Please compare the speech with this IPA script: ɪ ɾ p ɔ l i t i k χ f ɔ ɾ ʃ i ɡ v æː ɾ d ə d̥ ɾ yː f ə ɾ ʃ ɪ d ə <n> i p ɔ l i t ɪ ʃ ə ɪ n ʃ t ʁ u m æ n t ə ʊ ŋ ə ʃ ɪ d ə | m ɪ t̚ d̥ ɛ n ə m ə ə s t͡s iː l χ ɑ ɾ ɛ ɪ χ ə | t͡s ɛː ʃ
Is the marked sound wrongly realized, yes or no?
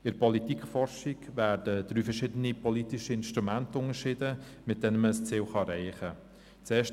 no